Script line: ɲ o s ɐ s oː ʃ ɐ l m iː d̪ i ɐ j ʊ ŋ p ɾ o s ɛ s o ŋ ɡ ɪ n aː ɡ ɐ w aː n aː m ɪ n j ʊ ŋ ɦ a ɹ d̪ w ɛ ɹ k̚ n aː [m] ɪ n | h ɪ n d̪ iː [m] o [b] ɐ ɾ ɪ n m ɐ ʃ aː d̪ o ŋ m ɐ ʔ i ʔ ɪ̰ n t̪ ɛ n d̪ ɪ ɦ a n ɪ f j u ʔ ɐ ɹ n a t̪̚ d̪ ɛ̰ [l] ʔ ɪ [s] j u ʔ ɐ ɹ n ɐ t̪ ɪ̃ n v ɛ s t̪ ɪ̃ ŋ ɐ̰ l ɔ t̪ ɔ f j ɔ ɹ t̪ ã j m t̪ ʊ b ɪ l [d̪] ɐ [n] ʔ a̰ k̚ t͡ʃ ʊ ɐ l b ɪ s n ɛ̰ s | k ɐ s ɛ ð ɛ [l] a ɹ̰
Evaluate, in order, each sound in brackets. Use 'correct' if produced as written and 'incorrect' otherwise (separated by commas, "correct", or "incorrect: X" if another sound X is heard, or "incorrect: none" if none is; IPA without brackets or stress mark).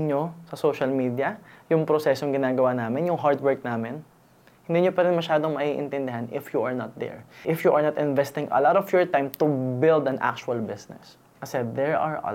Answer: correct, incorrect: ɲ, incorrect: p, incorrect: ɹ, incorrect: f, correct, correct, incorrect: ɹ